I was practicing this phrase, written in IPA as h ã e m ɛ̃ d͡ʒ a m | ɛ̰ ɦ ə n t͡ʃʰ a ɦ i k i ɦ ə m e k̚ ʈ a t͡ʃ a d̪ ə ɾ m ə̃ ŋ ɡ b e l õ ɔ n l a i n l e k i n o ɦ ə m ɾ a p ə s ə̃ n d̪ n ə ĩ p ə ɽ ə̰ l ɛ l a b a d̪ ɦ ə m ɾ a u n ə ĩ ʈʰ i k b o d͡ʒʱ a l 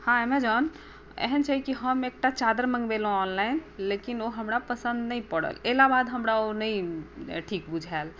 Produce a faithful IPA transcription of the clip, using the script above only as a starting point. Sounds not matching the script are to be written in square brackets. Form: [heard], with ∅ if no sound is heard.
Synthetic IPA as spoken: h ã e m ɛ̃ d͡ʒ a [n] | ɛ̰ ɦ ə n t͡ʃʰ a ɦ i k i ɦ ə m e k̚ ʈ a t͡ʃ a d̪ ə ɾ m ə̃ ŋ ɡ b e l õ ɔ n l a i n l e k i n o ɦ ə m ɾ a p ə s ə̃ n d̪ n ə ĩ p ə ɽ ə̰ l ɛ l a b a d̪ ɦ ə m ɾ a [o] n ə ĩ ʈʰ i k b [u] d͡ʒʱ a l